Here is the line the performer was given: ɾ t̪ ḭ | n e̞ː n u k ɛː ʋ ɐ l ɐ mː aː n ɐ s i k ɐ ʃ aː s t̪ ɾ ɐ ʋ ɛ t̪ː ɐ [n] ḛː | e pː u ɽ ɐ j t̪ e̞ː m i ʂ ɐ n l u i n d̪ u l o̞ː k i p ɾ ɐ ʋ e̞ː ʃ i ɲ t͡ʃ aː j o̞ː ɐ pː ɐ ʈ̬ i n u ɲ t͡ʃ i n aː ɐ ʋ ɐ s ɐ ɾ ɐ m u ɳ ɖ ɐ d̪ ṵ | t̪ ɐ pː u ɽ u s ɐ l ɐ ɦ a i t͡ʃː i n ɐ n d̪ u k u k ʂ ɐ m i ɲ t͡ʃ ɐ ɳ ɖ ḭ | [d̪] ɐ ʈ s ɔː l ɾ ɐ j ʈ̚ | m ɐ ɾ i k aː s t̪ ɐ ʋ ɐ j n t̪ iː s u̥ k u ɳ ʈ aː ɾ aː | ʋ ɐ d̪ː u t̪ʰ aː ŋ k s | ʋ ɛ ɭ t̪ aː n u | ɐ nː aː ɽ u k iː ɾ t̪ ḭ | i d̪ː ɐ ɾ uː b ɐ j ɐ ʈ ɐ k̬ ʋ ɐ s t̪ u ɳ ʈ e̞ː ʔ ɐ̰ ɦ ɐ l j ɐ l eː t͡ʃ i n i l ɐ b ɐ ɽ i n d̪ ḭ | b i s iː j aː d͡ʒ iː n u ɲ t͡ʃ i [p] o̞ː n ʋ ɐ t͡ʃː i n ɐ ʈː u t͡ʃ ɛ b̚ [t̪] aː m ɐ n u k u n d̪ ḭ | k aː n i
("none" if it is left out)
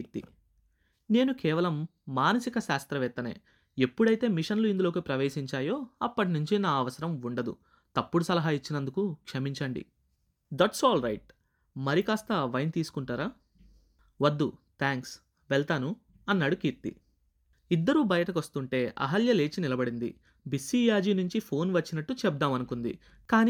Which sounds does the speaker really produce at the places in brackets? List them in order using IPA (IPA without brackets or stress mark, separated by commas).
n, d̪, pʰ, d̪